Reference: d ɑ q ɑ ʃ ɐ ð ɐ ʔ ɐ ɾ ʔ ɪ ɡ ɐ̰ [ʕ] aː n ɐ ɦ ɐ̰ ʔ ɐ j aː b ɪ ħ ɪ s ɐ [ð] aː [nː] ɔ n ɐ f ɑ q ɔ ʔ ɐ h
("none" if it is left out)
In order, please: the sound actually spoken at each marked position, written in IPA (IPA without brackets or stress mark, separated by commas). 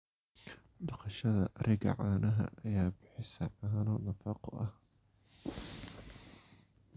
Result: ʕ, ʕ, n